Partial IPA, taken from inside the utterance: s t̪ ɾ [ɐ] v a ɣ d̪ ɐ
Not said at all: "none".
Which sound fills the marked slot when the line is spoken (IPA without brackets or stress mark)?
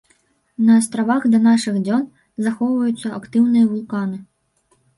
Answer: a